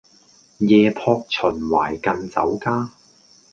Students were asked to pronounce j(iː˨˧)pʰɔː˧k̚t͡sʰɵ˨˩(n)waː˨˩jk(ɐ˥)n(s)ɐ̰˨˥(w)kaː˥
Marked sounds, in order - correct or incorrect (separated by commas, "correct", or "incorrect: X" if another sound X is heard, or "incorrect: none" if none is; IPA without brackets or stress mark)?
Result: incorrect: ɛː˨˧, correct, incorrect: ɐ˧, incorrect: t͡s, correct